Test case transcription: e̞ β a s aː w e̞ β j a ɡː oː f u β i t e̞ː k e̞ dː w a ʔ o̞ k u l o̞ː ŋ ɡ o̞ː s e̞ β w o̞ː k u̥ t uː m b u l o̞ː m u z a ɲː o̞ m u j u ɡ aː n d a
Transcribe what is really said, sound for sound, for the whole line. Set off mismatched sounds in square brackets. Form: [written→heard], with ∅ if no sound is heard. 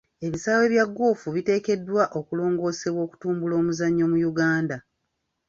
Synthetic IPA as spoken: e̞ β [a→i] s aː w e̞ β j a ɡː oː f u β i t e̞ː k e̞ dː w a ʔ o̞ k u l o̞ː ŋ ɡ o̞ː s e̞ β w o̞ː k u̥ t uː m b u l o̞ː m u z a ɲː o̞ m u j u ɡ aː n d a